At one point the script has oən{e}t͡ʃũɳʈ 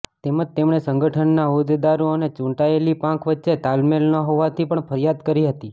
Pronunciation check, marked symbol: correct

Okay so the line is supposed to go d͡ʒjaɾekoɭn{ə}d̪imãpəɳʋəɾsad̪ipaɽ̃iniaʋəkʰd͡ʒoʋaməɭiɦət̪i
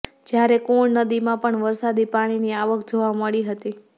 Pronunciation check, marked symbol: correct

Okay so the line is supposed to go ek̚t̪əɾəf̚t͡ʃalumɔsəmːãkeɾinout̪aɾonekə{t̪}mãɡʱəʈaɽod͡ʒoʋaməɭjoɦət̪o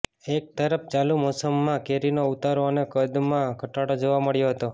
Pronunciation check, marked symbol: incorrect: d̪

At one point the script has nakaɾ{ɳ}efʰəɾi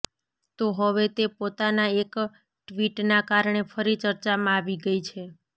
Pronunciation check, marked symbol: correct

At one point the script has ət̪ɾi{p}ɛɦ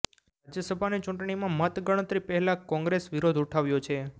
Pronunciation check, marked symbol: correct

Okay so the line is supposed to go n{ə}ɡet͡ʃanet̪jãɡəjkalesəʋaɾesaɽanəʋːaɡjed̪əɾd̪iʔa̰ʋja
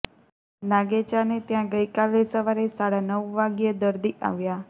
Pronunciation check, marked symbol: incorrect: a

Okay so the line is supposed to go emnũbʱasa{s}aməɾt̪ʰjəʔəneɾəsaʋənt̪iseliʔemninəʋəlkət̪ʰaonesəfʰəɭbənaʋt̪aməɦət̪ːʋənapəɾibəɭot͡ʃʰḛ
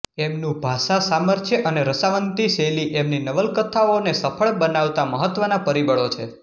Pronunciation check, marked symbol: correct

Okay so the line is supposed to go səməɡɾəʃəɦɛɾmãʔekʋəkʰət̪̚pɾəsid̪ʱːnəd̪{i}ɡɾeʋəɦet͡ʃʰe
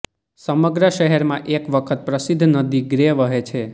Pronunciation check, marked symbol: correct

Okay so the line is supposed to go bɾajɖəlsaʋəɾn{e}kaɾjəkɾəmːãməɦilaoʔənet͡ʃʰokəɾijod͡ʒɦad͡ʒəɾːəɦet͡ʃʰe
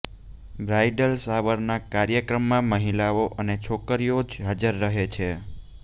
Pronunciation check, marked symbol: incorrect: a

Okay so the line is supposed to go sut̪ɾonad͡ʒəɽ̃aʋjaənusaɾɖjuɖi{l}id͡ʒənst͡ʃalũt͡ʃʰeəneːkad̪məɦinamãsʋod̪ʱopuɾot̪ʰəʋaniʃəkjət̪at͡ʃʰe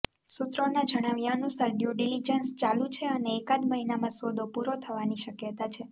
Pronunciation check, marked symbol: correct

